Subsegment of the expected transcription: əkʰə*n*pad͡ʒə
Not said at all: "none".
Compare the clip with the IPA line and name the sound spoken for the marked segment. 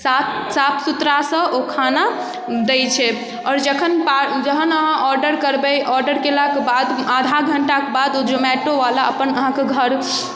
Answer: n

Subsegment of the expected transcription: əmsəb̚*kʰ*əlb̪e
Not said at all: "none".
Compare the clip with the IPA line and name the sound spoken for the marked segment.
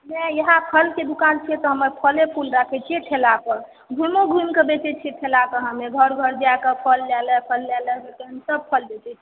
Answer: pʰ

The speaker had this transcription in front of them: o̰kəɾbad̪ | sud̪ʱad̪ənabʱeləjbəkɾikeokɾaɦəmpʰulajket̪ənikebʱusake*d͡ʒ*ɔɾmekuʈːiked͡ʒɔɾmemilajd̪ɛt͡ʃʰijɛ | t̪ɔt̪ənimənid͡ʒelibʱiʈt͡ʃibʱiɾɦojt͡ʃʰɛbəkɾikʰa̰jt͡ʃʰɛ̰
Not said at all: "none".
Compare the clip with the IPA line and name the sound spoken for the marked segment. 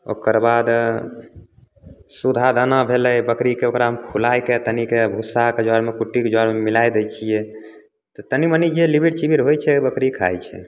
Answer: d͡ʒ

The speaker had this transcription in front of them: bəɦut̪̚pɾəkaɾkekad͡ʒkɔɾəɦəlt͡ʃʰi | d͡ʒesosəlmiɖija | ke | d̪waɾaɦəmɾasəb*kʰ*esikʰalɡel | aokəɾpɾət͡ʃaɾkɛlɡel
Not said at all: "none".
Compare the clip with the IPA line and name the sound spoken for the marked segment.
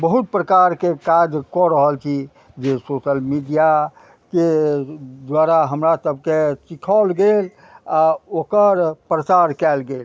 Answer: k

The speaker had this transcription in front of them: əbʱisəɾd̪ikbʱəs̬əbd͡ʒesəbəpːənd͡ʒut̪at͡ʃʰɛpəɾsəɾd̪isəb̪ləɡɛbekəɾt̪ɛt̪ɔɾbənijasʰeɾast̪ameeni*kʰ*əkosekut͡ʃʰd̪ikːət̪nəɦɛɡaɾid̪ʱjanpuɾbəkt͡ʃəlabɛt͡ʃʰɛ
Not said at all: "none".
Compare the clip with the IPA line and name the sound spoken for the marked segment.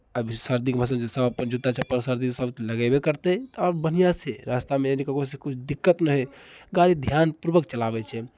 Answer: k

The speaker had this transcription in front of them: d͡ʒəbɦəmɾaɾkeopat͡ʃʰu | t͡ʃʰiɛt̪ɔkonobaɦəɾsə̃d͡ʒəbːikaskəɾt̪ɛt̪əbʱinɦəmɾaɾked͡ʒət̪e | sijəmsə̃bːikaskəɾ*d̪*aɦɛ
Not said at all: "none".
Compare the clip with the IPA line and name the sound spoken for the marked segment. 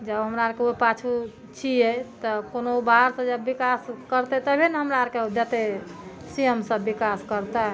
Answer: t̪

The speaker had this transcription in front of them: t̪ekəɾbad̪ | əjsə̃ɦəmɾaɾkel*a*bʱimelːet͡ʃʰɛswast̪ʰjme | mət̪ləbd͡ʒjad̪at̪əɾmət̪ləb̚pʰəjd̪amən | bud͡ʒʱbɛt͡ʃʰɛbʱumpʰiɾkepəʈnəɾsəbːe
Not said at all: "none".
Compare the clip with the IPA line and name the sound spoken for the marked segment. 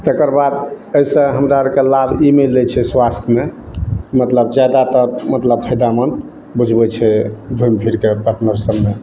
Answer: a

